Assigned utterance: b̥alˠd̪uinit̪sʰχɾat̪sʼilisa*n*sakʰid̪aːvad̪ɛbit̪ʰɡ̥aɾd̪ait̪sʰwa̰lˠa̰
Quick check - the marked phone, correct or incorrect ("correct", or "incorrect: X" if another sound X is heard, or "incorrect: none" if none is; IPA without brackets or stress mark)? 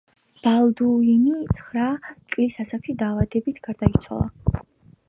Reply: incorrect: none